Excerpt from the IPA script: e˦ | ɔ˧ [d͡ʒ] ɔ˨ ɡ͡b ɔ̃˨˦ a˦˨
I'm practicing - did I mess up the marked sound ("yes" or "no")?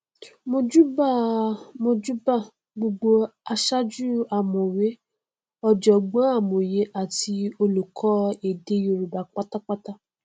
no